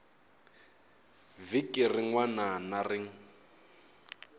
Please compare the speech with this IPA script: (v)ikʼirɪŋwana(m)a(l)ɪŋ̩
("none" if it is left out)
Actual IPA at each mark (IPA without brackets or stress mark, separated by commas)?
v, n, r